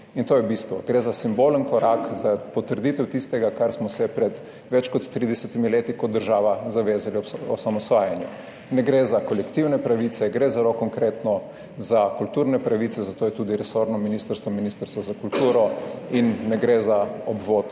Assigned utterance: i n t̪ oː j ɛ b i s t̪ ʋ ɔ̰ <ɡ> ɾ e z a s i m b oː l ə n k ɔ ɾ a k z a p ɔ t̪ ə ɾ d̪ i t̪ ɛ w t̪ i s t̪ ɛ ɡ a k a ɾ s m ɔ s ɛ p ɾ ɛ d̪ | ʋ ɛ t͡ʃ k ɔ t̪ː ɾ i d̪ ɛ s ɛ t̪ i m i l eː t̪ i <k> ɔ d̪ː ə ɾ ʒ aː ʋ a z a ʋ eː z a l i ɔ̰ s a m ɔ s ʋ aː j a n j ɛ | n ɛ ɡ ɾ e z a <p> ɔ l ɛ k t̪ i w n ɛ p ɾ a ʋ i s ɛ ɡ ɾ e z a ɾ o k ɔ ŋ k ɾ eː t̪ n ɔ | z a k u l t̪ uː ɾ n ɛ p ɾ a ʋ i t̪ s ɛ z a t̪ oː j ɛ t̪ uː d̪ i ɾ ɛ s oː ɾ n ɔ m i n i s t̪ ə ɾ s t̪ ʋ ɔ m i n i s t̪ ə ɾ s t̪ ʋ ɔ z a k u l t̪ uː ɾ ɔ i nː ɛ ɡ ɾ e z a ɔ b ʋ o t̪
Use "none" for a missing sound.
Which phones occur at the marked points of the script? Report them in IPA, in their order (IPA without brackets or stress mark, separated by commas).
ɡ, k, k